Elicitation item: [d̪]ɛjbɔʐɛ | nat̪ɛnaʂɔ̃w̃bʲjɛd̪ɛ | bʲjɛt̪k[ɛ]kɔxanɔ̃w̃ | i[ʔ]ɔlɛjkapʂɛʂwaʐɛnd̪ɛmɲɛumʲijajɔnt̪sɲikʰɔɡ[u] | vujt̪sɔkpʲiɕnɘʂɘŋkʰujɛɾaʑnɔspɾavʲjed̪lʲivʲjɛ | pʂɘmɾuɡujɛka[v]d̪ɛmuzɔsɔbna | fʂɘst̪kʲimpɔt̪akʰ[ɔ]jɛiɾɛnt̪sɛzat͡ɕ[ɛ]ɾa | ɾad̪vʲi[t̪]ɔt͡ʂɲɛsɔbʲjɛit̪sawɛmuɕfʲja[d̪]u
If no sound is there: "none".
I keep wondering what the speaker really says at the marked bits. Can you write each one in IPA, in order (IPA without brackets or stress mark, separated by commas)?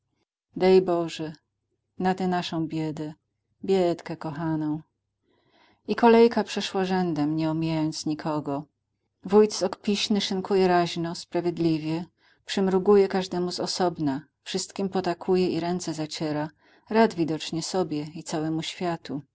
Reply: d̪, ɛ, k, ɔ, ʐ, u, ɛ, d̪, t̪